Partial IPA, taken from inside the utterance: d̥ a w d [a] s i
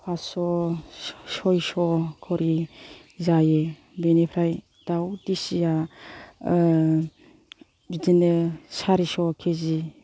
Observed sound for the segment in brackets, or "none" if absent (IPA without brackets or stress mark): i